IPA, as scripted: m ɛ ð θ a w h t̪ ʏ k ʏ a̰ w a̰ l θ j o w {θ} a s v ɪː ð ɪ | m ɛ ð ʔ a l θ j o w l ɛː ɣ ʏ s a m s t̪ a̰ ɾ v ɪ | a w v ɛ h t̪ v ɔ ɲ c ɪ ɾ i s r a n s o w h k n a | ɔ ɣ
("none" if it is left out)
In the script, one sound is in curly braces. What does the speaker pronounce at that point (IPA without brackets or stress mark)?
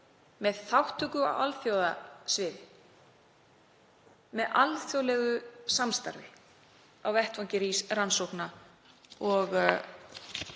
ð